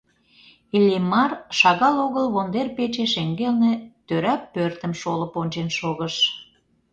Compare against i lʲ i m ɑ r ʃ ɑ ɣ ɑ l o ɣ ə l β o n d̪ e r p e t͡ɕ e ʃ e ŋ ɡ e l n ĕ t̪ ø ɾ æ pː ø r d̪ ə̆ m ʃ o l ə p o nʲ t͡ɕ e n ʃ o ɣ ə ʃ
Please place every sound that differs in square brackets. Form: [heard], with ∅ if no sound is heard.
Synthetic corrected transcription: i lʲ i m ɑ r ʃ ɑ ɣ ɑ l o ɣ ə l β o n d̪ e r p e t͡ɕ e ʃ e ŋ ɡ e l n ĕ t̪ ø ɾ æ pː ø r [t̪] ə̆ m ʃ o l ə p o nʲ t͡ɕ e n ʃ o ɣ ə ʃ